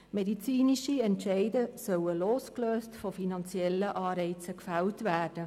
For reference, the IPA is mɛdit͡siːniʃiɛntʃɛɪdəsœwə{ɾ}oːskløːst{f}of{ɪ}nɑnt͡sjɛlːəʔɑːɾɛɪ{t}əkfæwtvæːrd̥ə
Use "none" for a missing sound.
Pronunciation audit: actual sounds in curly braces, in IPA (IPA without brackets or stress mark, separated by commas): l, f, i, t͡s